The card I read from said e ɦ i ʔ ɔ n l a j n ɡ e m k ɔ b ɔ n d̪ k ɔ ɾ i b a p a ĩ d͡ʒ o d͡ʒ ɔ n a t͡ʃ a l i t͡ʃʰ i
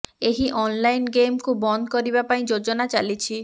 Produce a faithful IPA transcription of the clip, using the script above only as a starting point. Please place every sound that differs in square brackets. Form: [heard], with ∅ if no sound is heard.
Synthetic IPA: e ɦ i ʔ ɔ n l a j n ɡ e m k [u] b ɔ n d̪ k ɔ ɾ i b a p a ĩ d͡ʒ o d͡ʒ ɔ n a t͡ʃ a l i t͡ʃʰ i